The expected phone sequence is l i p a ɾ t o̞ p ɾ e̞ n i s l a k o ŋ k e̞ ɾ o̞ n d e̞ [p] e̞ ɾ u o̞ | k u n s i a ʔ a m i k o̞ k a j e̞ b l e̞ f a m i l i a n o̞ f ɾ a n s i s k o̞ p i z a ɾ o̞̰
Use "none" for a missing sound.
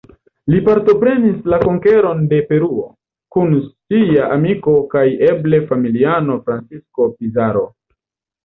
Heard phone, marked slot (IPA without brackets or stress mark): p